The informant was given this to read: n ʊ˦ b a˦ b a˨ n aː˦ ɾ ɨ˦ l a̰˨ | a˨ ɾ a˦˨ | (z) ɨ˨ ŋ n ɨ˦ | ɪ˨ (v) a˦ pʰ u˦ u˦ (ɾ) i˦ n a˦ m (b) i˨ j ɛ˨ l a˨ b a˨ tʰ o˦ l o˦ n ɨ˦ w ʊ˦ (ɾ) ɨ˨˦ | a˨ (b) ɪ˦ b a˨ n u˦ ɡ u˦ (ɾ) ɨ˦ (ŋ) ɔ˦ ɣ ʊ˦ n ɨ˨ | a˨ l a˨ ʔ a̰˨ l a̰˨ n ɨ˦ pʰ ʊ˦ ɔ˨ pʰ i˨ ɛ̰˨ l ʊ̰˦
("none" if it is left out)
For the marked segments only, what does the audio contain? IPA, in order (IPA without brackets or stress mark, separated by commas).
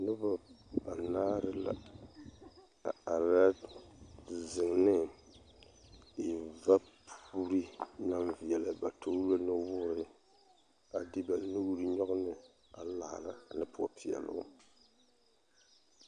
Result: z, v, ɾ, v, ɾ, d, ɾ, ɲ